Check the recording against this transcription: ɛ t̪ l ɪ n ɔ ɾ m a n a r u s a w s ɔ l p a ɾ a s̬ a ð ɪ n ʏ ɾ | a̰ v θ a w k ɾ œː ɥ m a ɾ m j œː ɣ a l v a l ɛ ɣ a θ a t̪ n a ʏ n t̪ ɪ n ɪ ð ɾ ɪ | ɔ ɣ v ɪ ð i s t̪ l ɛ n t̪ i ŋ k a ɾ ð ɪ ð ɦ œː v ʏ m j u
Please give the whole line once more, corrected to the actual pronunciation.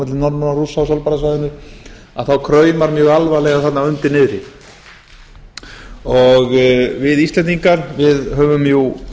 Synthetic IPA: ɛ t̪ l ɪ n ɔ ɾ m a n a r u s a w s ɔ l p a ɾ a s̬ a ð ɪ n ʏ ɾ | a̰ ð θ a w kʰ ɾ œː ɥ m a ɾ m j œː ɣ a l v a l ɛ ɣ a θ a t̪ n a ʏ n t̪ ɪ n ɪ ð ɾ ɪ | ɔ ɣ v ɪ ð i s t̪ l ɛ n t̪ i ŋ k a ɾ v ɪ ð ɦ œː v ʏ m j u